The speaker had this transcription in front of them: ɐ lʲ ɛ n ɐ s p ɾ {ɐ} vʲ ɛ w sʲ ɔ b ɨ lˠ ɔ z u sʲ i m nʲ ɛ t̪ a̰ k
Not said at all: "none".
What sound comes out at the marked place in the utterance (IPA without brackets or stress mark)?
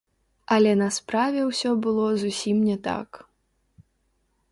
a